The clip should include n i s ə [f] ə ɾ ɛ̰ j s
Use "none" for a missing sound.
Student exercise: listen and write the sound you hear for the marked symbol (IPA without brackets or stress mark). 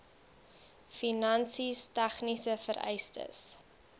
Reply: f